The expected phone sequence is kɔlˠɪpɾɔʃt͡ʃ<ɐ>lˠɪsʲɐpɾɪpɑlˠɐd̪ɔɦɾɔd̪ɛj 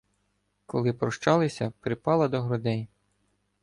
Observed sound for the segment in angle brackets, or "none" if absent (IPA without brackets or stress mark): ɑ